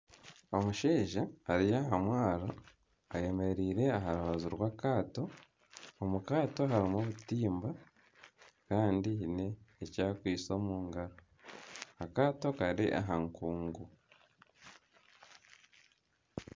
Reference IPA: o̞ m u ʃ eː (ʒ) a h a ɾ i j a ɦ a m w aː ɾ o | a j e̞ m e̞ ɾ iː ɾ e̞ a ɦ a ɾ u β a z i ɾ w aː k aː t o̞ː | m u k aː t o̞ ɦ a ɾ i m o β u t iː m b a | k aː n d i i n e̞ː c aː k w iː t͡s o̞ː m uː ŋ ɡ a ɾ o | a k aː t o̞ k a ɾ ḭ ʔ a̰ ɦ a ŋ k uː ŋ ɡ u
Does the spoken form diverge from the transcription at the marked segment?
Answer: no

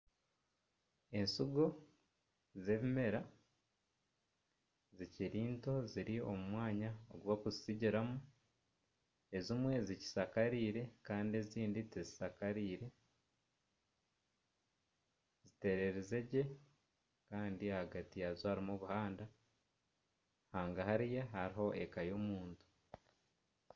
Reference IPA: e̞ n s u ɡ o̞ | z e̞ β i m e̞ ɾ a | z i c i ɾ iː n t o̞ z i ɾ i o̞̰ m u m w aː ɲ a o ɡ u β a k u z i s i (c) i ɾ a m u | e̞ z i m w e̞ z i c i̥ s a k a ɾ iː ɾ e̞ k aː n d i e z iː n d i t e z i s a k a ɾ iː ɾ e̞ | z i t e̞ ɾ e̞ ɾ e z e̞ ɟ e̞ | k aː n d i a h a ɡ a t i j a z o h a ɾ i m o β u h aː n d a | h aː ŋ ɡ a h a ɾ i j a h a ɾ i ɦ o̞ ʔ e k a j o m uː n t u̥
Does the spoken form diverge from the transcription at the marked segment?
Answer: yes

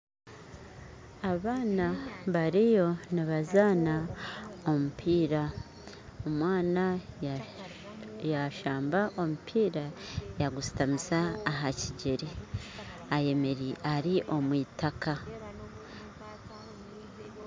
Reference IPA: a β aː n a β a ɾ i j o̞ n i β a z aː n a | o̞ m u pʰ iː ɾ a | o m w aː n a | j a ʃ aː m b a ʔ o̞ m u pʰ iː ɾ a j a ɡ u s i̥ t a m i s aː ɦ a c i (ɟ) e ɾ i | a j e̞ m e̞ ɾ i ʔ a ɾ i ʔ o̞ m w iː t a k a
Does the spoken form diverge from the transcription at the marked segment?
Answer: no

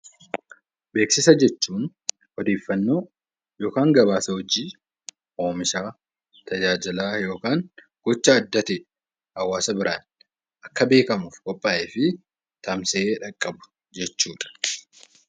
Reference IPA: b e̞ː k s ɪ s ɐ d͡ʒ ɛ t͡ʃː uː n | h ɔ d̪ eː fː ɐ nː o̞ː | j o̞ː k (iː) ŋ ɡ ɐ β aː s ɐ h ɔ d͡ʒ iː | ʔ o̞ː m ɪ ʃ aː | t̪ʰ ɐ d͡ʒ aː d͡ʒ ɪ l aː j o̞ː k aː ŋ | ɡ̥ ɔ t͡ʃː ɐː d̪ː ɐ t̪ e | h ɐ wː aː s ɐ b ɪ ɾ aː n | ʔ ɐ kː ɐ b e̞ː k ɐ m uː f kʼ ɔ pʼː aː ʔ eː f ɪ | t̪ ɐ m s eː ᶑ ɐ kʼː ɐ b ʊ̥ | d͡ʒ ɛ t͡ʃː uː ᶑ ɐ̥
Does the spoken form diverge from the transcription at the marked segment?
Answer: yes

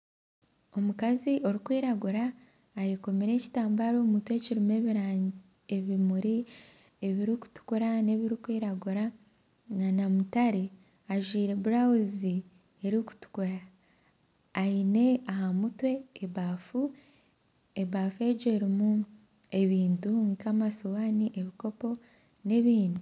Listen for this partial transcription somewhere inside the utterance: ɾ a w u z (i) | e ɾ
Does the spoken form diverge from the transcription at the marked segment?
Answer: no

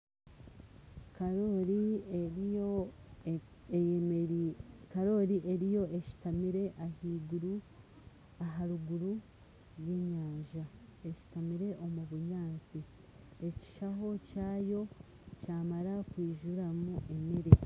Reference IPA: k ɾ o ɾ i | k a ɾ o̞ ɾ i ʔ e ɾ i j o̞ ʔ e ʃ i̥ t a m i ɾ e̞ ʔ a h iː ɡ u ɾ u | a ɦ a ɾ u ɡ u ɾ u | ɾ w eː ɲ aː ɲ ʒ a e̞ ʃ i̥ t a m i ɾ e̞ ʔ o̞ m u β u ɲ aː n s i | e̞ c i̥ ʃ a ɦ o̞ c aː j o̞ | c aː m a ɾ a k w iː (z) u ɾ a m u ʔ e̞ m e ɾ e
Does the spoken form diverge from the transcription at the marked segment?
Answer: yes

